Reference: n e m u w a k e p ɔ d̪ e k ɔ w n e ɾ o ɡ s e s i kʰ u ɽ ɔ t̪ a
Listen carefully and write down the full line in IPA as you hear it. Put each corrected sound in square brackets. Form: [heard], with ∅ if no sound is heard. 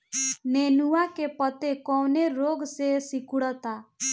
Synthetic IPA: n e [n] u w a k e p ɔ [t̪] e k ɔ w n e ɾ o ɡ s e s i [k] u ɽ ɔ t̪ a